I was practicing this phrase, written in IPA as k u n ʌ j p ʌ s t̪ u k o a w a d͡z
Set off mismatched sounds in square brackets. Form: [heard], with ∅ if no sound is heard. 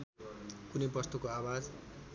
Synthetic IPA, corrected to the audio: k u n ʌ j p ʌ s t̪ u k o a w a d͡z